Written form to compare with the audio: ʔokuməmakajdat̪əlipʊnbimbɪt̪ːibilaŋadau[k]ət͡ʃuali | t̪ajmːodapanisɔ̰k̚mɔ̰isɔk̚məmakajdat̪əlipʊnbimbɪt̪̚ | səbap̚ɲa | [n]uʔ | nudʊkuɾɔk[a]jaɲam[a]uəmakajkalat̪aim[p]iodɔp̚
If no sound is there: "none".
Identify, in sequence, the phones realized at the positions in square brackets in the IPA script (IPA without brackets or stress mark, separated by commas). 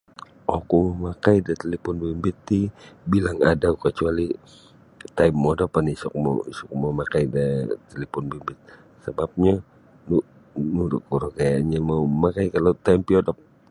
k, n, a, a, p